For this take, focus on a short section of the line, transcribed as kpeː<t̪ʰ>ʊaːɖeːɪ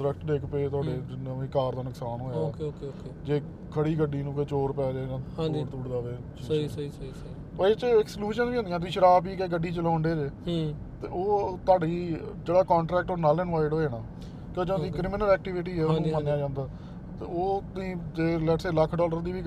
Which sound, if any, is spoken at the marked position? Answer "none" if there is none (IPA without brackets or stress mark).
t̪